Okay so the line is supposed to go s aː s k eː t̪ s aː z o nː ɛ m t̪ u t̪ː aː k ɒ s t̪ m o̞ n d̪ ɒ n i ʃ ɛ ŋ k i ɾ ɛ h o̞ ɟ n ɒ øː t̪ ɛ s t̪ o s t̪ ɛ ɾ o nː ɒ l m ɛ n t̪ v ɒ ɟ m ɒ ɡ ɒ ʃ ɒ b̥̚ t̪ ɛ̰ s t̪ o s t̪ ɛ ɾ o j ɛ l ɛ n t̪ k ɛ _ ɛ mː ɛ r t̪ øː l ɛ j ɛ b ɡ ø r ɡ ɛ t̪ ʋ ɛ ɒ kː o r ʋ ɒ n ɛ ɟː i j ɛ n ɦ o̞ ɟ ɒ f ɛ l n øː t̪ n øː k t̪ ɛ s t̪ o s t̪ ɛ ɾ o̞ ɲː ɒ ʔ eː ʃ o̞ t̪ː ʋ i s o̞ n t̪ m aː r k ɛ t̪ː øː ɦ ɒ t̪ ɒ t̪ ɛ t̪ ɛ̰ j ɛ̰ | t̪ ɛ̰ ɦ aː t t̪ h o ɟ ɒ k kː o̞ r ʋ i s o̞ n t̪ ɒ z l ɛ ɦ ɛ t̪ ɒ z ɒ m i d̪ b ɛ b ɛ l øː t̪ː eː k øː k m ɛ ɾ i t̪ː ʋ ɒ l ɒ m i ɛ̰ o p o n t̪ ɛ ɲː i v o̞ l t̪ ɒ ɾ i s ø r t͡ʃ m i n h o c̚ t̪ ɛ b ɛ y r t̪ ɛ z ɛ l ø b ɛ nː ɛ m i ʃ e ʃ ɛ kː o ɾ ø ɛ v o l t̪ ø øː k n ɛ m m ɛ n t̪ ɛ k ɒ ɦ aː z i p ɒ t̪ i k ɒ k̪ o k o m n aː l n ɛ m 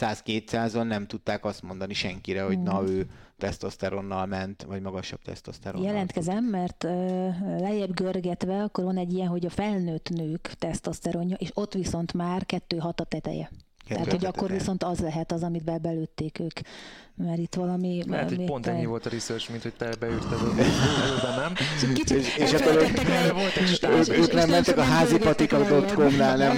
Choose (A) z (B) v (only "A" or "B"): A